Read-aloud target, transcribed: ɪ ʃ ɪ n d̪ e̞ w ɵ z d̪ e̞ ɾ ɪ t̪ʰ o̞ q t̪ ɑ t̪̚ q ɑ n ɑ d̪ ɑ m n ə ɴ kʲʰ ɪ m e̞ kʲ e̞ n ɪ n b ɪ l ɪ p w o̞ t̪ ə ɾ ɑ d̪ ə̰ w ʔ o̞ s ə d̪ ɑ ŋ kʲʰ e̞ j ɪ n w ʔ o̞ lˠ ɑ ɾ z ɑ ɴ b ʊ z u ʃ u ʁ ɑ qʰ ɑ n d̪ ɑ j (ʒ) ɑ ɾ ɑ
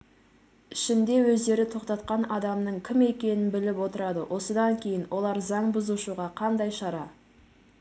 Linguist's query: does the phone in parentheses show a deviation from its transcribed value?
yes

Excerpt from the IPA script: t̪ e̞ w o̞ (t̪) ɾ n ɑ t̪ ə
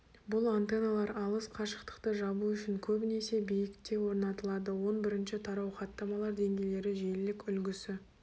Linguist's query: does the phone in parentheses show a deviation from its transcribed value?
yes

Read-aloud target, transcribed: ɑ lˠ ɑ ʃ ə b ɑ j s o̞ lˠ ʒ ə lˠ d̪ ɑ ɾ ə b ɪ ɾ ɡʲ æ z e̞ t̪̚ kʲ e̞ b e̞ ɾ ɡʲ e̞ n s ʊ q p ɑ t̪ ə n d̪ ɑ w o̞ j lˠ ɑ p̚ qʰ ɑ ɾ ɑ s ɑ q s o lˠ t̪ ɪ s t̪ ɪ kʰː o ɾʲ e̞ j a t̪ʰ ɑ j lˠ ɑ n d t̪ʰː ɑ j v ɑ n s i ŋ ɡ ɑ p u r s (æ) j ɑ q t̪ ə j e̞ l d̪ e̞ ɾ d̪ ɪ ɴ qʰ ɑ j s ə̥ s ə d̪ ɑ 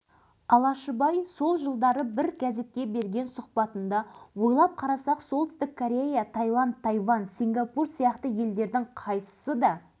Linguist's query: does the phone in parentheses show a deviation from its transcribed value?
yes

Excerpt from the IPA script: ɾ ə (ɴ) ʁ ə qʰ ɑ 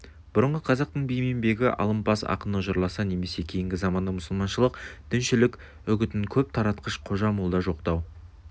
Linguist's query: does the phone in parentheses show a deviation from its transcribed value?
no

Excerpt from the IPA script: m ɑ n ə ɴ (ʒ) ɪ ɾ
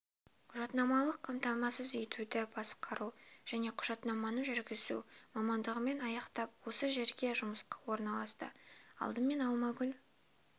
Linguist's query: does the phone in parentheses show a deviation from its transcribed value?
no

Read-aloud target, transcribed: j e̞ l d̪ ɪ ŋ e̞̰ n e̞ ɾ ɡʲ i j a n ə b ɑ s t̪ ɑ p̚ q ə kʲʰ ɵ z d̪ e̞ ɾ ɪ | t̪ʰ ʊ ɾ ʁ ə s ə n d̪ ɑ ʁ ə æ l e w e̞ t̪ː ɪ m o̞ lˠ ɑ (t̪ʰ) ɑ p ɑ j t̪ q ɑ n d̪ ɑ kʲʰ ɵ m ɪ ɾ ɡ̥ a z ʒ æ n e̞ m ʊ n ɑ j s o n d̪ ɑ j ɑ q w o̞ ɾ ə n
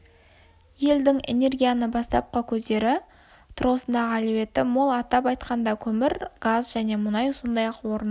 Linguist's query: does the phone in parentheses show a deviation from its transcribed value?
yes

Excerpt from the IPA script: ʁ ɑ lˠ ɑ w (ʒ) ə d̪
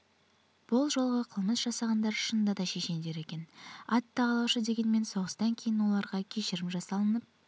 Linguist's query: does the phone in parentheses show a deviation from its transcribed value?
yes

